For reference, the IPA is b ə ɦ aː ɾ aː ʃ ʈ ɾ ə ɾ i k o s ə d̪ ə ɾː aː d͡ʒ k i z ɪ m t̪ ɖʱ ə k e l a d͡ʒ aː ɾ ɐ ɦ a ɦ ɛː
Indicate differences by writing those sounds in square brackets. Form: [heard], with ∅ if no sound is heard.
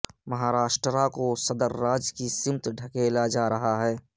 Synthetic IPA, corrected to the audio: [m] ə ɦ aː ɾ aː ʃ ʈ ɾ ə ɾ [a] k o s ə d̪ ə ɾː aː d͡ʒ k i [s] ɪ m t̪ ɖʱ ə k e l a d͡ʒ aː ɾ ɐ ɦ a ɦ ɛː